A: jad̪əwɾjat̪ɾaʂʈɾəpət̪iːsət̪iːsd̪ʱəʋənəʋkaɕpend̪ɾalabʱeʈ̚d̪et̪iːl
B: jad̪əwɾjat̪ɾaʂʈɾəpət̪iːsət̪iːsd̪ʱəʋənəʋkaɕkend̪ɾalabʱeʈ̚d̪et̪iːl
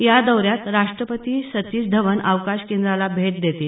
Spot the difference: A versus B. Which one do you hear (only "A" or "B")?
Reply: B